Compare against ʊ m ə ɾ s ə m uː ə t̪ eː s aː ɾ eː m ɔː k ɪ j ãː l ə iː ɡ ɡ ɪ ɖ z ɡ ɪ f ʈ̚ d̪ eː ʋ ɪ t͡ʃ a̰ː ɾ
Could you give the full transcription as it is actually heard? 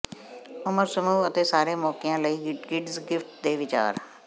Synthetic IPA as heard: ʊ m ə ɾ s ə m uː ə t̪ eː s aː ɾ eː m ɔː k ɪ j ãː l ə iː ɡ ɡ ɪ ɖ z ɡ ɪ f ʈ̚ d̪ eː ʋ ɪ t͡ʃ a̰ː ɾ